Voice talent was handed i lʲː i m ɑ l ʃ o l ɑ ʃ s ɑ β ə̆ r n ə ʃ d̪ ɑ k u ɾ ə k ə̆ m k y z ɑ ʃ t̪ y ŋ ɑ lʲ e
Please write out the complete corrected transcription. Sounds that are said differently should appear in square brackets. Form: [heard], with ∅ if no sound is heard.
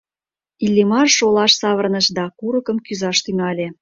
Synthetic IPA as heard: i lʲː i m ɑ [r] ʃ o l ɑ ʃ s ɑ β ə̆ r n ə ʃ d̪ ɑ k u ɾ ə k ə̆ m k y z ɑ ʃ t̪ y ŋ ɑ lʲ e